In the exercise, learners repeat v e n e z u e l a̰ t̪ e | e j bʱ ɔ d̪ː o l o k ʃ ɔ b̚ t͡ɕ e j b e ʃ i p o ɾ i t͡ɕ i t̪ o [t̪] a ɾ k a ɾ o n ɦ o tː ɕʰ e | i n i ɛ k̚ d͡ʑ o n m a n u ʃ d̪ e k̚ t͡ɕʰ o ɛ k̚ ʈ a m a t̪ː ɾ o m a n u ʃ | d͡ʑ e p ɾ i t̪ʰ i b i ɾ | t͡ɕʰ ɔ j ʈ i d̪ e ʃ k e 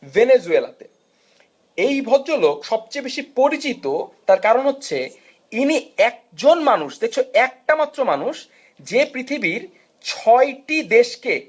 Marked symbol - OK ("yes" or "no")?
yes